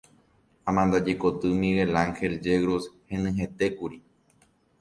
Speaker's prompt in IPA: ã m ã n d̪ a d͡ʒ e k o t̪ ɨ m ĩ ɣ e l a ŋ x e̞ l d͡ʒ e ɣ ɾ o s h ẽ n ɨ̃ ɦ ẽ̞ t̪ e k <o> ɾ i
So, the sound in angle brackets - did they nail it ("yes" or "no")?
no